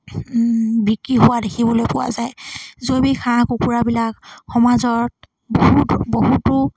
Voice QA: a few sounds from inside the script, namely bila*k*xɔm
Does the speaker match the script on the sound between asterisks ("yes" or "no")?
yes